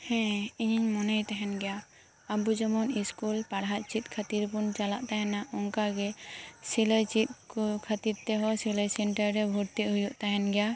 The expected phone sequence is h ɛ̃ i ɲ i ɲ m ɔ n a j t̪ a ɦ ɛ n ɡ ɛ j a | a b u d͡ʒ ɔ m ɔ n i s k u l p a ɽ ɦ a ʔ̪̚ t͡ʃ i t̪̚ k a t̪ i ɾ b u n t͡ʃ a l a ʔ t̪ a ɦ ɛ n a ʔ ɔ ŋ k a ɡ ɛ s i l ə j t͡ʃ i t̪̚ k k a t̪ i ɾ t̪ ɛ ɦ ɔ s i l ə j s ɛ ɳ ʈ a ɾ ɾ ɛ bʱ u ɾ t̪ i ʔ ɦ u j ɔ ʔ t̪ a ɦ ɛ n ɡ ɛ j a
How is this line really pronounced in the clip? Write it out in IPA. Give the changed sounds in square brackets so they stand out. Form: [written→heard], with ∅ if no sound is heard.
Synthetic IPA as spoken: h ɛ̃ i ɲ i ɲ m ɔ n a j t̪ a ɦ ɛ n ɡ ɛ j a | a b u d͡ʒ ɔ m ɔ n i s k u l p a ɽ ɦ a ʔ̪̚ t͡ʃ i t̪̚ [k→kʰ] a t̪ i ɾ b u n t͡ʃ a l a ʔ t̪ a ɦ ɛ n a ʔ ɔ ŋ k a ɡ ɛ s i l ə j t͡ʃ i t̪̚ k [k→kʰ] a t̪ i ɾ t̪ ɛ ɦ ɔ s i l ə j s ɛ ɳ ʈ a ɾ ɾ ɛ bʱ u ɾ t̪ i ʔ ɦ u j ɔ ʔ t̪ a ɦ ɛ n ɡ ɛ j a